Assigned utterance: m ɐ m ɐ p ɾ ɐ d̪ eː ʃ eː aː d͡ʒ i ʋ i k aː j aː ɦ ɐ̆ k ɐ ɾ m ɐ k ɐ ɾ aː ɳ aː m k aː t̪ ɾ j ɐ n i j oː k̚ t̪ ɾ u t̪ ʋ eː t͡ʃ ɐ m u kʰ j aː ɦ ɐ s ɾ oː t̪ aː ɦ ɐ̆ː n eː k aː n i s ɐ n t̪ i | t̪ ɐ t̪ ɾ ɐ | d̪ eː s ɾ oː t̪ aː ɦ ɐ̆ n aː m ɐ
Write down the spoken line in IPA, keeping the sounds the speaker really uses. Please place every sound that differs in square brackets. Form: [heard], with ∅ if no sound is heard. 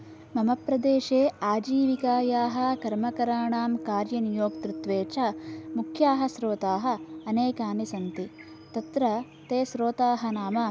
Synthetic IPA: m ɐ m ɐ p ɾ ɐ d̪ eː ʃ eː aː d͡ʒ [iː] ʋ i k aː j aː ɦ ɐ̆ k ɐ ɾ m ɐ k ɐ ɾ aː ɳ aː m k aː [∅] ɾ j ɐ n i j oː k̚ t̪ ɾ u t̪ ʋ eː t͡ʃ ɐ m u kʰ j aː ɦ ɐ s ɾ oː t̪ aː ɦ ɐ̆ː n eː k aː n i s ɐ n t̪ i | t̪ ɐ t̪ ɾ ɐ | [t̪] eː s ɾ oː t̪ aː ɦ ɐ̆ n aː m ɐ